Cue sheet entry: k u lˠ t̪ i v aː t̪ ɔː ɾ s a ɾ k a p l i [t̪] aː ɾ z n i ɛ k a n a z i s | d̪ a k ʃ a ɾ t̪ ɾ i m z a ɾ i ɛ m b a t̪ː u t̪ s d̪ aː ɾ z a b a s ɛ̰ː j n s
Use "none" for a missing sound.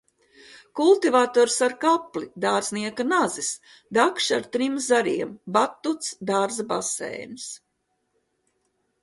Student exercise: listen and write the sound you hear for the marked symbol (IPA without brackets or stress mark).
d̪